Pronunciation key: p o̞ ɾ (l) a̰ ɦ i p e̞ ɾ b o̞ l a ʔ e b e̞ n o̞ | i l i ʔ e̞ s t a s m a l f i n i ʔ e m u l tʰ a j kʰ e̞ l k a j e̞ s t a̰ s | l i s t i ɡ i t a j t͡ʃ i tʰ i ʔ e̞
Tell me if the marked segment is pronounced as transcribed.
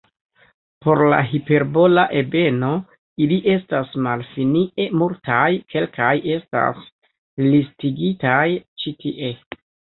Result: yes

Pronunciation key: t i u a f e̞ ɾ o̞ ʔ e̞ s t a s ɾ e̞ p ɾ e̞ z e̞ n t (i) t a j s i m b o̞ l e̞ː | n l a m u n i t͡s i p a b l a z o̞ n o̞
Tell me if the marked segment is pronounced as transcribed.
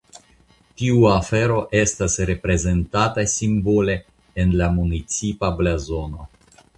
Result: no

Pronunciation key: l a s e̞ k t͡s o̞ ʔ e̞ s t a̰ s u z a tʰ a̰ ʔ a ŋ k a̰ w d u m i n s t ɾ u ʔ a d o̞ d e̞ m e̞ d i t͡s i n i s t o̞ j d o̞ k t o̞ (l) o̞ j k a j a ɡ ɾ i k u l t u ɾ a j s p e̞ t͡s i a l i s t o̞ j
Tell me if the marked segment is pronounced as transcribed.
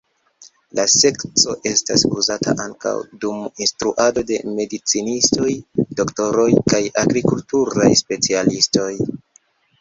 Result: no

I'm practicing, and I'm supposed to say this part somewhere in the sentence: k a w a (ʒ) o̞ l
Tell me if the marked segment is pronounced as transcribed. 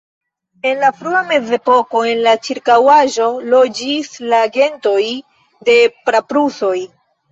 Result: yes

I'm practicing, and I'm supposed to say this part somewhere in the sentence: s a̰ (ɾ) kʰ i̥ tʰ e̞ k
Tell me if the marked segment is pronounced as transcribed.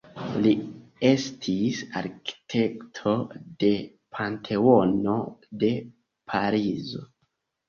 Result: yes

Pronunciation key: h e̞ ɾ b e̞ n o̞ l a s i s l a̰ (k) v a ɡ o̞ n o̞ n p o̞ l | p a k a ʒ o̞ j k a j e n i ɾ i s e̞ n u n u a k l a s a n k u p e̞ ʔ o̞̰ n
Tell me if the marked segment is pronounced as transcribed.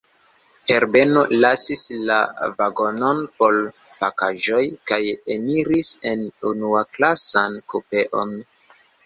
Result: no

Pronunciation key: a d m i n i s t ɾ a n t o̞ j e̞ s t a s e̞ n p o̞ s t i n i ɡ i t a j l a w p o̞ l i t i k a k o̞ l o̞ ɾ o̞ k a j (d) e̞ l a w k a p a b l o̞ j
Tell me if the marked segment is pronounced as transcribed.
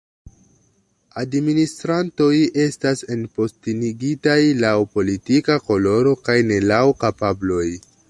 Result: no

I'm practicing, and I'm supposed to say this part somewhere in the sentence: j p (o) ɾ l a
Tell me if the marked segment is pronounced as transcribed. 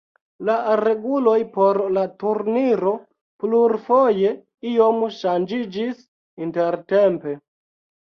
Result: yes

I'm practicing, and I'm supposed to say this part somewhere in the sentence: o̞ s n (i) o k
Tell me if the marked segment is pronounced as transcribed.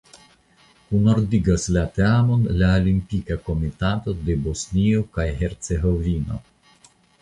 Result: yes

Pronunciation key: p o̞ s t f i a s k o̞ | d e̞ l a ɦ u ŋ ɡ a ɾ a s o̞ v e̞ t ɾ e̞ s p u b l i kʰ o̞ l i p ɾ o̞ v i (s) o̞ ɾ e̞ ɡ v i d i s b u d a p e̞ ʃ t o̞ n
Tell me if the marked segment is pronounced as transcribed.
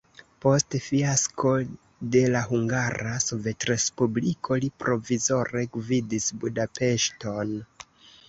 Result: no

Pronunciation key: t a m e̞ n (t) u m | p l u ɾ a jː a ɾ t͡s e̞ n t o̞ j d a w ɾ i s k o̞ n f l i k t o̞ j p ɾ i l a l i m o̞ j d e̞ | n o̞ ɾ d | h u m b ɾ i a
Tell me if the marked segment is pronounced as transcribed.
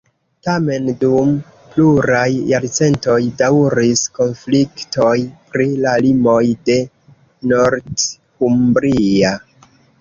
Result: no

